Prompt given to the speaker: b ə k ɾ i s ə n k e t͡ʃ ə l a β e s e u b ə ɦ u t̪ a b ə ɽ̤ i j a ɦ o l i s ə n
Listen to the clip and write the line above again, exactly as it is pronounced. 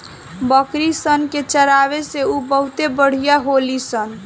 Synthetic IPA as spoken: b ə k ɾ i s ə n k e t͡ʃ ə ɾ a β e s e u b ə ɦ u t̪ e b ə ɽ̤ i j a ɦ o l i s ə n